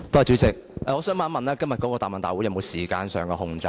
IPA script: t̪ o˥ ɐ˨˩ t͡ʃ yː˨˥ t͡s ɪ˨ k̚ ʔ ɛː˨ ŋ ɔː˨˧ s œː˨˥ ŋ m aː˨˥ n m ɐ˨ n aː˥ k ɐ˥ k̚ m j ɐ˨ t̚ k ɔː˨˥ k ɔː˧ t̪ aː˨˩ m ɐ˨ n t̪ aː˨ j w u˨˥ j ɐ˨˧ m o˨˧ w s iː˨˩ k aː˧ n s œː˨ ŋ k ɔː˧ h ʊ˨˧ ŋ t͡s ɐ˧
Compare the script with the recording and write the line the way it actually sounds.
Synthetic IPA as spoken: t̪ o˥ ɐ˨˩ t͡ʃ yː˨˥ t͡s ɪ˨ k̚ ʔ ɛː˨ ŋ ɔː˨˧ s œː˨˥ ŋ m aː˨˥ n m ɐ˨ n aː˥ k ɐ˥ m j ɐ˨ t̚ k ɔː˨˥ k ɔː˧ t̪ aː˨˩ m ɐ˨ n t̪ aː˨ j w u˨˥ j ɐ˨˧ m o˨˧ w s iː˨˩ k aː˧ n s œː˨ ŋ k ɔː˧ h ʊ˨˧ ŋ t͡s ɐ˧